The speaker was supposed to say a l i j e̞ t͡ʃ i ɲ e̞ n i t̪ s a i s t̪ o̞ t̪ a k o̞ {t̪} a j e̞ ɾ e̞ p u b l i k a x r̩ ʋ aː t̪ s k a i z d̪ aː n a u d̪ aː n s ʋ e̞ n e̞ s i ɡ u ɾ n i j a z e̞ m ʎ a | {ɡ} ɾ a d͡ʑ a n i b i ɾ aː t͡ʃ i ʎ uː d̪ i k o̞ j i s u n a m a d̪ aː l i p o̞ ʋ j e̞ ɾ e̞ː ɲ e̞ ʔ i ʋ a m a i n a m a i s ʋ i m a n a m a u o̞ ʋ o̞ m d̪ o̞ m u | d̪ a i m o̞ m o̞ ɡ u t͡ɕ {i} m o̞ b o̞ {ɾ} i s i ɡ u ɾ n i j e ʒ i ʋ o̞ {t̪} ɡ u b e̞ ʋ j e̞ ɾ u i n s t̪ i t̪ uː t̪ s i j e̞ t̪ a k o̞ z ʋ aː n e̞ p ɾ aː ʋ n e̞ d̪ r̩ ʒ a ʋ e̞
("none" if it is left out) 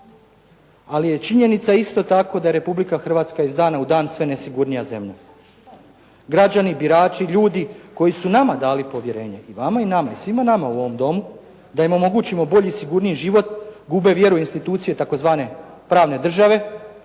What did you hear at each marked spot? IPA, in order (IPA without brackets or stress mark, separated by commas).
d̪, ɡ, i, ʎ, t̪